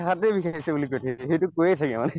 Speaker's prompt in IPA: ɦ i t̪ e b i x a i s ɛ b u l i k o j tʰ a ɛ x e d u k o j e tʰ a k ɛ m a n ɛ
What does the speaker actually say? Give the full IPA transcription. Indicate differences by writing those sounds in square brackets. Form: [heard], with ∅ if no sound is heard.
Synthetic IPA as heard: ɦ [a] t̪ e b i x a i s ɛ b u l i k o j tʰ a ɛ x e [t] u k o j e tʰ a k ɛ m a n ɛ